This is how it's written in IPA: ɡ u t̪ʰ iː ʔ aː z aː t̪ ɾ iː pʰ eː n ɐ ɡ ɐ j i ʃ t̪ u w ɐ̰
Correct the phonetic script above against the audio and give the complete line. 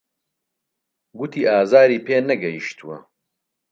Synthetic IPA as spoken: ɡ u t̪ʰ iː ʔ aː z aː ɾ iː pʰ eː n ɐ ɡ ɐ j i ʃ t̪ u w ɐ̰